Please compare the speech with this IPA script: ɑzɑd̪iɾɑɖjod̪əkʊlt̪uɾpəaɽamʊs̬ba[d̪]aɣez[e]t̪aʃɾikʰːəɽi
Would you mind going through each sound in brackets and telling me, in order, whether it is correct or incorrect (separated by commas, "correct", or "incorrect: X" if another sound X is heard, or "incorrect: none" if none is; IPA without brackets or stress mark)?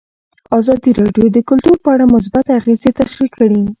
incorrect: t̪, correct